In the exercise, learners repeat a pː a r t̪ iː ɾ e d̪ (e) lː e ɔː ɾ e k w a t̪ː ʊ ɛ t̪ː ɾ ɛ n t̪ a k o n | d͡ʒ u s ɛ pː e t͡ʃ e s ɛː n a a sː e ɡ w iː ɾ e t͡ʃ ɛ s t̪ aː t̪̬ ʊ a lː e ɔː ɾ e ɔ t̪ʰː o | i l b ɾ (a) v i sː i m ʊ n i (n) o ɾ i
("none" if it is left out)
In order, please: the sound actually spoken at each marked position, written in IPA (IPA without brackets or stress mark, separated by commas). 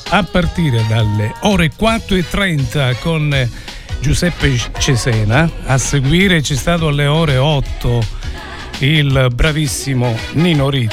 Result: a, a, n